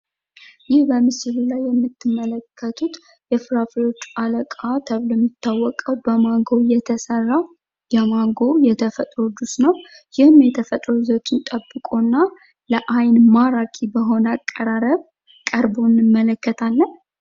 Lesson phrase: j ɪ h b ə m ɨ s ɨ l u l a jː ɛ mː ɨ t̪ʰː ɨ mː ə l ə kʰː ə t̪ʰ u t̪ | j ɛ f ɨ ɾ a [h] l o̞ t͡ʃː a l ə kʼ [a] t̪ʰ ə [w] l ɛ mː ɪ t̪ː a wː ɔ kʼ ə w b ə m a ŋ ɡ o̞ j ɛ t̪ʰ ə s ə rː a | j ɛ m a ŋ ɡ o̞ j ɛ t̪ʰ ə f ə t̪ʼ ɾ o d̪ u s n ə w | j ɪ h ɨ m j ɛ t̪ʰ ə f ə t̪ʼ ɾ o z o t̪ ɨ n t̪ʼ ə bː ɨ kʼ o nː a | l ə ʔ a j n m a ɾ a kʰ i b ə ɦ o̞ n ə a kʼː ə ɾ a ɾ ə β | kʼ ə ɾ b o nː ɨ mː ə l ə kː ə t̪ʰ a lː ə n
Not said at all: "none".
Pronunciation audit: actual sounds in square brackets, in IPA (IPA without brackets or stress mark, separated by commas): f, a, β